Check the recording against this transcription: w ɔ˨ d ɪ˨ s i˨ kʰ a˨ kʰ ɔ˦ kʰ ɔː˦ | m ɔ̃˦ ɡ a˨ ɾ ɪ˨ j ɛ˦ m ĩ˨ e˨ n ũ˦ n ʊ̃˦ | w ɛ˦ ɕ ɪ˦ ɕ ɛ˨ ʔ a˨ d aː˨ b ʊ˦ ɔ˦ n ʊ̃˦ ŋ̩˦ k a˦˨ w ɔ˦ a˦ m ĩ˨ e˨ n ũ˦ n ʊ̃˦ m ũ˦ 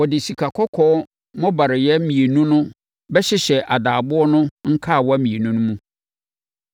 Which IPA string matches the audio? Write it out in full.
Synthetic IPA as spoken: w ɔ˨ d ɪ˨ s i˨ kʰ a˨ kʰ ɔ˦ kʰ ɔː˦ | m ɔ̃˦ b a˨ ɾ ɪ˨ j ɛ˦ m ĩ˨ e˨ n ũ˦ n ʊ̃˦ | b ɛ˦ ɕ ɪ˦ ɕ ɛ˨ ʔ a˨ d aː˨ b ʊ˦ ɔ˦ n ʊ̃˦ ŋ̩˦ kʰ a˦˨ w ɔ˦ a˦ m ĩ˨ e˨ n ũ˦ n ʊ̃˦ m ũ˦

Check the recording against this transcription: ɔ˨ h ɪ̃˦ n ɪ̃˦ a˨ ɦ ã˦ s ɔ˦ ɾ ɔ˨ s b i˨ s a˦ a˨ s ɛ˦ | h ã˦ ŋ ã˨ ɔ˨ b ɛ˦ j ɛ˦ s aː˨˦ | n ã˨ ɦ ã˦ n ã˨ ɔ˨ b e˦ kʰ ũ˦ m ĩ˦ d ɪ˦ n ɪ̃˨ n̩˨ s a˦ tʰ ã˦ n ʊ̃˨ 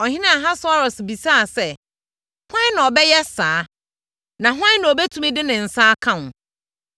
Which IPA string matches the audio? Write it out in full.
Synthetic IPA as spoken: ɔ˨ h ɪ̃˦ n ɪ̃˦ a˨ ɦ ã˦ s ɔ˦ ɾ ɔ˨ s b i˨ s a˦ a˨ s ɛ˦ | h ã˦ n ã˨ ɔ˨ b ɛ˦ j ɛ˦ s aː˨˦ | n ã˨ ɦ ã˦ n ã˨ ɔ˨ b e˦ tʰ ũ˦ m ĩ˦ d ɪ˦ n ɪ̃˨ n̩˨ s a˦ kʰ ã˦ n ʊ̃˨

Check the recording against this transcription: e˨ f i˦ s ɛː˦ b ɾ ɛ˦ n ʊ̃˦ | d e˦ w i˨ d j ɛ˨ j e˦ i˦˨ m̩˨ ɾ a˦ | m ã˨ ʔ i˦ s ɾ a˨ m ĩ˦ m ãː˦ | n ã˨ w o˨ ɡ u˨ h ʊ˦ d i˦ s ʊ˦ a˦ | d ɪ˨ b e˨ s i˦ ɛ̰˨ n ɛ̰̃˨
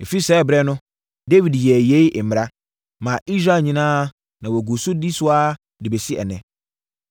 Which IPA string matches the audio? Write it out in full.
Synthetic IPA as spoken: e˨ f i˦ s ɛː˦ b ɾ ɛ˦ n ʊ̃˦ | d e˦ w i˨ d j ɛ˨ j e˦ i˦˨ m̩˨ ɾ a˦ | m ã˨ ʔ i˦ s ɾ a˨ ɲ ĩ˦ n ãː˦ | n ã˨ w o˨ ɡ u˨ s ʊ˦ d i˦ s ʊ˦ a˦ | d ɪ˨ b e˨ s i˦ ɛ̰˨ n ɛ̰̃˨

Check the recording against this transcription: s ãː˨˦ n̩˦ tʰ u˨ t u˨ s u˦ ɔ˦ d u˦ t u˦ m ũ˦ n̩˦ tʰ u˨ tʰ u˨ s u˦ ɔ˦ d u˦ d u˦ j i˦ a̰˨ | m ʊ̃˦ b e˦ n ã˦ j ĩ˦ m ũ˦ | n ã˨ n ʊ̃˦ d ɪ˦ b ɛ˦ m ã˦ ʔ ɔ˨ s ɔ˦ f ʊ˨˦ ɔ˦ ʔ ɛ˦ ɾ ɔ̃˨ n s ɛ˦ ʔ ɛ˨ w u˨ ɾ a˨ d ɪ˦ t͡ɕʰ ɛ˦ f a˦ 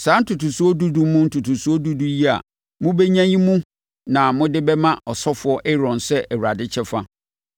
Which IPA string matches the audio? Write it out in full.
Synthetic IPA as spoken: s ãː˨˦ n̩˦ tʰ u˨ t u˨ s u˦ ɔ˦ d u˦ d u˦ m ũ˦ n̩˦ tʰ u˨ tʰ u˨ s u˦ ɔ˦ d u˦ d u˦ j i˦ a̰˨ | m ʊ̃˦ b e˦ ɲ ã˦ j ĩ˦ m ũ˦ | n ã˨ m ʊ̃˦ d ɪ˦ b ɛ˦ m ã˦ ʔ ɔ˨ s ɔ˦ f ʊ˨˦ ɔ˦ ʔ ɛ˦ ɾ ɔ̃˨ n s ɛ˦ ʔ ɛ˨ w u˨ ɾ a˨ d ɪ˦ t͡ɕʰ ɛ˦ f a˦

